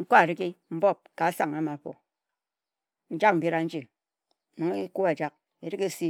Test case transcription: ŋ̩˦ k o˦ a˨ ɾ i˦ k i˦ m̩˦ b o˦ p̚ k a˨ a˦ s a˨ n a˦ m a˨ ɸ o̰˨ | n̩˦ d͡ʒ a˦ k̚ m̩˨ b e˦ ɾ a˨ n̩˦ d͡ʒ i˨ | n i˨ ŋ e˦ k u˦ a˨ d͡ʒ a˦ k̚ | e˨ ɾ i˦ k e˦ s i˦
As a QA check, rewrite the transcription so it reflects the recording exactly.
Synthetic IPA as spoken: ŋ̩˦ k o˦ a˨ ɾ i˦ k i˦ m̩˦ b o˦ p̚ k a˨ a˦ s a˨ ŋ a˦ m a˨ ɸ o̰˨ | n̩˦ d͡ʒ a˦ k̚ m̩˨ b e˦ ɾ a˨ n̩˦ d͡ʒ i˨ | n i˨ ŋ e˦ k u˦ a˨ d͡ʒ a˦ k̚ | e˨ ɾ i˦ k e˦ s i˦